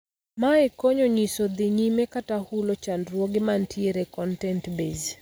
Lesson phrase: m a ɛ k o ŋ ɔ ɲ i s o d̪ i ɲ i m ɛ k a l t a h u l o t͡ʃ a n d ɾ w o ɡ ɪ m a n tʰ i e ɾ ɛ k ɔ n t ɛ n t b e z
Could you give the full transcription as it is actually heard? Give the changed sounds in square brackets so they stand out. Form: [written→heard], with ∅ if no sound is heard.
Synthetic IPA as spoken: m a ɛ k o [ŋ→ɲ] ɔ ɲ i s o d̪ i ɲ i m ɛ k a [l→∅] t a h u l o t͡ʃ a n d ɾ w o ɡ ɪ m a n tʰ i e ɾ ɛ k ɔ n t ɛ n t b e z